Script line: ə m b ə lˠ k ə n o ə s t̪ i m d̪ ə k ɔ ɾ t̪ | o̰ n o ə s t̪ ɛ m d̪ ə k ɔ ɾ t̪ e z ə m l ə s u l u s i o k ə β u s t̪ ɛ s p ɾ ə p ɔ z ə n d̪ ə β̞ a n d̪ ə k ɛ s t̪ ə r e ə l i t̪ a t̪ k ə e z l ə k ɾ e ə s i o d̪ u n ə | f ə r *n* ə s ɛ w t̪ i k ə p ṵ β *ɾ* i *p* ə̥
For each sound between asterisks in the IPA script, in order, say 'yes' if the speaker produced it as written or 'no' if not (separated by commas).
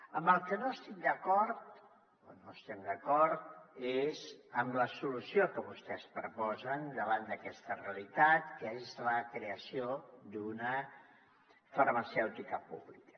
no, no, no